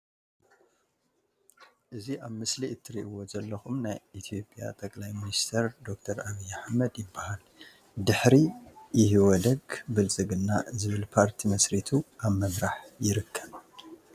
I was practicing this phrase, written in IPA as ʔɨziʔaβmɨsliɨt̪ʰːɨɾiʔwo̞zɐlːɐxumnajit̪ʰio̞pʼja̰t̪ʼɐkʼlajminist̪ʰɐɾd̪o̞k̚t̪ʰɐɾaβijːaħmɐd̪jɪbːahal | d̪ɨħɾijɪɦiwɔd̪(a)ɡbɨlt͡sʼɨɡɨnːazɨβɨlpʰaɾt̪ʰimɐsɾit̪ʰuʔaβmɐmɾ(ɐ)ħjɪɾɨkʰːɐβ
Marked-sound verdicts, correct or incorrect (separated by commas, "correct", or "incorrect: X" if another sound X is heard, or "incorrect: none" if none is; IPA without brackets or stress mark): incorrect: ɐ, incorrect: a